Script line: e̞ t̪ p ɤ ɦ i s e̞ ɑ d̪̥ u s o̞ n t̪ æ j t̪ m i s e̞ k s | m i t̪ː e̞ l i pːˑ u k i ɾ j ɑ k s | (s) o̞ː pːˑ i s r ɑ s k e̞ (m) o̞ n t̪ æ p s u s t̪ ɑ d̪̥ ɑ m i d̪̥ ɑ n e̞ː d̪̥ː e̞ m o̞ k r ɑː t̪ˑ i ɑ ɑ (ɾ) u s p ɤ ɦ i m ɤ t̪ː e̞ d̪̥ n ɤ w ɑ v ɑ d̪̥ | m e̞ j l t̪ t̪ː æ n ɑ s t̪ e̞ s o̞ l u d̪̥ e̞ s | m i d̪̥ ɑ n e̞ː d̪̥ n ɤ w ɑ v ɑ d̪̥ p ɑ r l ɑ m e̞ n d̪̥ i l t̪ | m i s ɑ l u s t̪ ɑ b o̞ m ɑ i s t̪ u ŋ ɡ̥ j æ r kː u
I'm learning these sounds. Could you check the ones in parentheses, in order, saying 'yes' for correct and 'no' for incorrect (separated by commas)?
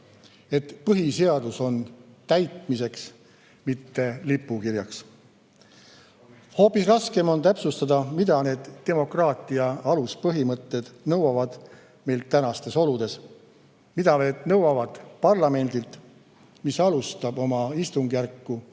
no, yes, no